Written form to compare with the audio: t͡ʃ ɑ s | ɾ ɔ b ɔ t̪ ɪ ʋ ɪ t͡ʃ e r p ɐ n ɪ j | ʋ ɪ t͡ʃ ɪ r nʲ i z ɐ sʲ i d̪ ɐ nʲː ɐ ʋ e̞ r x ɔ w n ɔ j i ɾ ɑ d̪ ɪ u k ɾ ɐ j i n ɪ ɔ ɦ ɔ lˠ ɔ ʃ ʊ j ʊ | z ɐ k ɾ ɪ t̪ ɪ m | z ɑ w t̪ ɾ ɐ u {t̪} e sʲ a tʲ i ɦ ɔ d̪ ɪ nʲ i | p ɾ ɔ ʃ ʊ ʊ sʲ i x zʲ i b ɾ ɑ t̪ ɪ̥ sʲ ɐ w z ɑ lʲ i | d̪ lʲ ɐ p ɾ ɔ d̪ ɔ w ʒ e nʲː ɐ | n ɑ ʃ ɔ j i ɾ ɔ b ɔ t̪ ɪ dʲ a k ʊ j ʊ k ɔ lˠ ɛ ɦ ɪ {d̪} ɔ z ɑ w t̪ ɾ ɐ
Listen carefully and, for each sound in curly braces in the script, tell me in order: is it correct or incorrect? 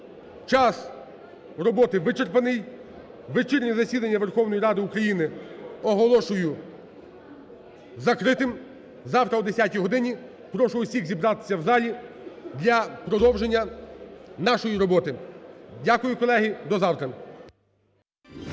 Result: incorrect: d̪, correct

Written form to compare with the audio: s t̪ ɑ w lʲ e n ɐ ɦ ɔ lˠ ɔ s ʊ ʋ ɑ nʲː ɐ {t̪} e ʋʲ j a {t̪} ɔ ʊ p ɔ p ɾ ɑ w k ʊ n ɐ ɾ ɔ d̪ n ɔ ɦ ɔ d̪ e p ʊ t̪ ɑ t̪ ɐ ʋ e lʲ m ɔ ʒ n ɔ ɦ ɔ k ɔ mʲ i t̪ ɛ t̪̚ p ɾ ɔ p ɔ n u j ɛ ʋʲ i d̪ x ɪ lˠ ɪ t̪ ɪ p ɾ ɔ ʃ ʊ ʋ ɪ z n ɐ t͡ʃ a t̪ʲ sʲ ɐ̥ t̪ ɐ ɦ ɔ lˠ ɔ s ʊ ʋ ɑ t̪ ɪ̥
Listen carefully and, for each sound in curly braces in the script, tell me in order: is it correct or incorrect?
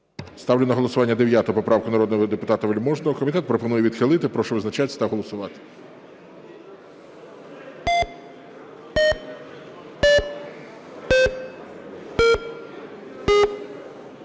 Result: incorrect: d̪, correct

